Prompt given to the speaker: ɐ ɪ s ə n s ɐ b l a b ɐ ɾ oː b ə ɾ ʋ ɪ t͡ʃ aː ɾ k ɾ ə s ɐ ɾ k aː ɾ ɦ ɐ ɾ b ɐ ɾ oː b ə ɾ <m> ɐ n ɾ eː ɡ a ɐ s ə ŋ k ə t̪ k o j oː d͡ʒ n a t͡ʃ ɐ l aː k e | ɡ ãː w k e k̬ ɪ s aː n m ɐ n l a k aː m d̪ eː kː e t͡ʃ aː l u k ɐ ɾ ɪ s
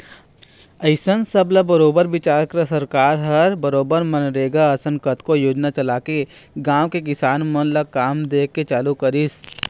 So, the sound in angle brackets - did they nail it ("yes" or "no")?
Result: yes